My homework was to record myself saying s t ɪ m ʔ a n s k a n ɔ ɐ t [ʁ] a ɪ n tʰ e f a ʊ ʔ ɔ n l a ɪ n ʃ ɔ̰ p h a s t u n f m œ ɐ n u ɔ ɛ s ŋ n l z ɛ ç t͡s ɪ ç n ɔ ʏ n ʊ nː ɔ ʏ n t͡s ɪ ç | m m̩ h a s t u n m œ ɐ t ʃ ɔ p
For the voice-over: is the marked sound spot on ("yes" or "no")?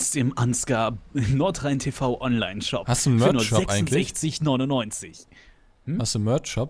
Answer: yes